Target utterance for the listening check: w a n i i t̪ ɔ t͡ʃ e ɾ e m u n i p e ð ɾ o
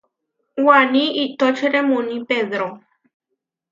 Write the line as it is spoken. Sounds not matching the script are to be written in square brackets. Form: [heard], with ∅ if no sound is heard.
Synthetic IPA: w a n i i t̪ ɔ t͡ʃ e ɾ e m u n i p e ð ɾ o